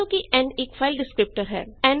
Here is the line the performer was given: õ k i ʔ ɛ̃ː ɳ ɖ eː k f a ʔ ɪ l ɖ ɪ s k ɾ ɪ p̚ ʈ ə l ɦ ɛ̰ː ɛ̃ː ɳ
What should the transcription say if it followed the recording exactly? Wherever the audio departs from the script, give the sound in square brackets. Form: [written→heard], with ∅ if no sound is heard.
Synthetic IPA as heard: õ k i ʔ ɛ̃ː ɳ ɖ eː k f a [ʔ→∅] ɪ l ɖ ɪ s k ɾ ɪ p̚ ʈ ə [l→ɾ] ɦ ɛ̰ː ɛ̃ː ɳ

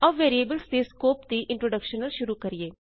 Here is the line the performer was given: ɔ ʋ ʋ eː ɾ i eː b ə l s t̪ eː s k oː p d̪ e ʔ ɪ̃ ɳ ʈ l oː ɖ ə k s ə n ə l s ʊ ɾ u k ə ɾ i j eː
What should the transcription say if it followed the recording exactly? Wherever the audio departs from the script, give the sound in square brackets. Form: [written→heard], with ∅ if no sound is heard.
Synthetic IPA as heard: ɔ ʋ ʋ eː ɾ i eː b ə l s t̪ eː s k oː p d̪ [e→i] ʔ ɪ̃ ɳ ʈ [l→ɾ] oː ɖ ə k [s→ʃ] ə n ə l [s→ʃ] ʊ ɾ u k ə ɾ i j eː

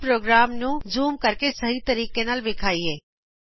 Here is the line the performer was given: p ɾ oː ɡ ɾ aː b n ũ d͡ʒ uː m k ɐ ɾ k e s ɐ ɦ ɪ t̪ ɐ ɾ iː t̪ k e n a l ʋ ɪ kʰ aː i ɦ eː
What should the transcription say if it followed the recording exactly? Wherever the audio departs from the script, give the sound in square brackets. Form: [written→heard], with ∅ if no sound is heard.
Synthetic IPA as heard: p ɾ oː ɡ ɾ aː [b→m] n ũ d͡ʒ uː m k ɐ ɾ k e s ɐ ɦ [ɪ→i] t̪ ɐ ɾ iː [t̪→∅] k e n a l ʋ ɪ kʰ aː i ɦ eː

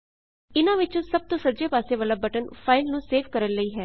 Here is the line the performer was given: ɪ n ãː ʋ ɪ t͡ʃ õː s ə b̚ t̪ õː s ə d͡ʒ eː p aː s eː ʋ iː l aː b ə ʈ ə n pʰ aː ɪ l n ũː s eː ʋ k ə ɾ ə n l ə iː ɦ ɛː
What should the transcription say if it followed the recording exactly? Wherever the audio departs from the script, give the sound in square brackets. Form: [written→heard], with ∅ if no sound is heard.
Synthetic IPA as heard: ɪ n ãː ʋ ɪ t͡ʃ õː s ə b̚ t̪ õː s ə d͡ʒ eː p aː s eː ʋ [iː→aː] l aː b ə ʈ ə n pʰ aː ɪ l n ũː s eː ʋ k ə ɾ ə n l ə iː ɦ ɛː

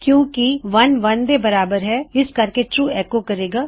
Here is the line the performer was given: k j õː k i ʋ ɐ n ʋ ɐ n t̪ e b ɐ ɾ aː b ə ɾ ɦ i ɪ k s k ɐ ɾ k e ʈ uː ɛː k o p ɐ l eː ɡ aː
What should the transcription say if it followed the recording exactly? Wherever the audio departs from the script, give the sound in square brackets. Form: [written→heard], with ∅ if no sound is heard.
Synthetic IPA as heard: k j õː k i ʋ ɐ n ʋ ɐ n [t̪→d̪] e b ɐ ɾ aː b ə ɾ ɦ [i→ɛ] ɪ [k→∅] s k ɐ ɾ k e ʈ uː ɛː k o [p→k] ɐ [l→ɾ] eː ɡ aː

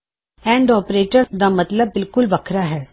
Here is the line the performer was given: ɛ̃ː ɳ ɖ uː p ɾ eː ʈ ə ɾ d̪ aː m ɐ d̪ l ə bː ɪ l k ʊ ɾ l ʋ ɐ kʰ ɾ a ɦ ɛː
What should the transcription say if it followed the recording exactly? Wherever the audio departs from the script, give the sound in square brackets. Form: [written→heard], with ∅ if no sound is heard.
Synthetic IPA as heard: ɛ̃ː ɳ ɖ [uː→ɔː] p ɾ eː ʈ ə ɾ d̪ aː m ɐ [d̪→t̪] l ə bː ɪ l k ʊ [ɾ→∅] l ʋ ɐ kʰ ɾ a ɦ ɛː

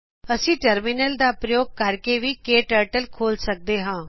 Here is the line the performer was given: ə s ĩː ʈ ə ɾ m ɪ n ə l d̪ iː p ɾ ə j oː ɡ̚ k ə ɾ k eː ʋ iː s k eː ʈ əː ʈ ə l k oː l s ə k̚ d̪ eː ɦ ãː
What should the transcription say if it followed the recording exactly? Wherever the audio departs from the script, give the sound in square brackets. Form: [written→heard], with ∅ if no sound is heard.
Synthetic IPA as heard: ə s ĩː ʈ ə ɾ m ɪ n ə l d̪ [iː→aː] p ɾ ə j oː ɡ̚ k ə ɾ k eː ʋ iː [s→∅] k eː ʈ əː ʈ ə l [k→kʰ] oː l s ə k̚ d̪ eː ɦ ãː

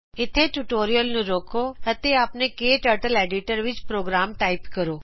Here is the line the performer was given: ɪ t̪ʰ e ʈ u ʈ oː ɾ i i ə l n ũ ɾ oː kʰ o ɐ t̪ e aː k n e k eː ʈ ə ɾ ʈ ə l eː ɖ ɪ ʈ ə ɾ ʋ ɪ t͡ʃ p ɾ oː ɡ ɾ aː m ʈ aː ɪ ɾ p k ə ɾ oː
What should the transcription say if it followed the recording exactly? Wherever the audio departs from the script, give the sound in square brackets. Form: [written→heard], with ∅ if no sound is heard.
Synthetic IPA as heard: ɪ t̪ʰ e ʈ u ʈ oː ɾ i [i→j] ə l n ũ ɾ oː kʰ o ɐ t̪ e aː [k→p] n e k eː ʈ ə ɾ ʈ ə l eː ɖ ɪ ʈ ə ɾ ʋ ɪ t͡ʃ p ɾ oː ɡ ɾ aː m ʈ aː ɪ [ɾ→∅] p k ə ɾ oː

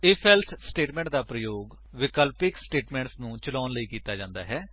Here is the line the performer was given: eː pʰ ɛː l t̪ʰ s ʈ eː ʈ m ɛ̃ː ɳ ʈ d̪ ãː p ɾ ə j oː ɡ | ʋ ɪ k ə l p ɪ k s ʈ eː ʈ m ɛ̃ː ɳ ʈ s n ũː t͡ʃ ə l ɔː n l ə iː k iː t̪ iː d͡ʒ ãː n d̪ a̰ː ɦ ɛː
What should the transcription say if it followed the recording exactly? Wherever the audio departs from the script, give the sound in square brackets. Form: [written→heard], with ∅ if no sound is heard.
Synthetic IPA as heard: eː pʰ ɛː l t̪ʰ s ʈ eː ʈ m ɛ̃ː ɳ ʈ d̪ [ãː→aː] p ɾ ə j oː ɡ | ʋ ɪ k ə l p ɪ k s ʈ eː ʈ m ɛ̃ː ɳ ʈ s n ũː t͡ʃ ə l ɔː n l ə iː k iː t̪ [iː→aː] d͡ʒ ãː n d̪ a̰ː ɦ ɛː

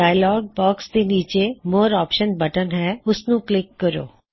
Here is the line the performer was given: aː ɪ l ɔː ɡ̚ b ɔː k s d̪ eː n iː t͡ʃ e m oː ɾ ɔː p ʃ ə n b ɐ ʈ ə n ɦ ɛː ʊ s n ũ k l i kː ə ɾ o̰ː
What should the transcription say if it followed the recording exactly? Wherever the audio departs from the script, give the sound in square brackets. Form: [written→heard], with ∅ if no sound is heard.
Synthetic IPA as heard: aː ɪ l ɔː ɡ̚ b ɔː k s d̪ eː n iː t͡ʃ e m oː ɾ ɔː p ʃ ə n b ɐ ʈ ə n ɦ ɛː ʊ s n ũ k l [i→ɪ] kː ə ɾ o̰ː

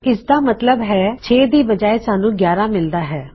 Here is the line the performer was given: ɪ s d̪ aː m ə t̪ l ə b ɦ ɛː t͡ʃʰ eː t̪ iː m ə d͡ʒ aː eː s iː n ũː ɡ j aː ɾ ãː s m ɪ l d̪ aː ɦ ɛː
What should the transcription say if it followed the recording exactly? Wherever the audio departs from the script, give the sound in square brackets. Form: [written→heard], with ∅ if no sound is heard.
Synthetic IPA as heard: ɪ s d̪ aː m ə t̪ l ə b ɦ ɛː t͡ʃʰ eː [t̪→d̪] iː [m→b] ə d͡ʒ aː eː s [iː→aː] n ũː ɡ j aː ɾ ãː [s→∅] m ɪ l d̪ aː ɦ ɛː

